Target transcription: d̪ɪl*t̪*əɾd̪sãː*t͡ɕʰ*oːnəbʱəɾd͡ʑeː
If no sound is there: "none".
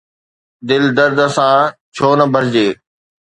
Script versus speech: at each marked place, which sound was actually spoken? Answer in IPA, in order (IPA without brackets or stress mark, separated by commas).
d̪, t͡ɕʰ